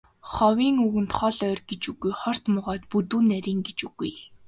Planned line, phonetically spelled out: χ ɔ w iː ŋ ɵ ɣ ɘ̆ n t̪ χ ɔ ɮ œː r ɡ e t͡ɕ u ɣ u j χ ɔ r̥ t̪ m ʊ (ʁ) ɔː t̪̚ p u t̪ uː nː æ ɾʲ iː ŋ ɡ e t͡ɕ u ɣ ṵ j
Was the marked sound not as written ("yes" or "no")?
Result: no